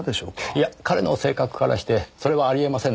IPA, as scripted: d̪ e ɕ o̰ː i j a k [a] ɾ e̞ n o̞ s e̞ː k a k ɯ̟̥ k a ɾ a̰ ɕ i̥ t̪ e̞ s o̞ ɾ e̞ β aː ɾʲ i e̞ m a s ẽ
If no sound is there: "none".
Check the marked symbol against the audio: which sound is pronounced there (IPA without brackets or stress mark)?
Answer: a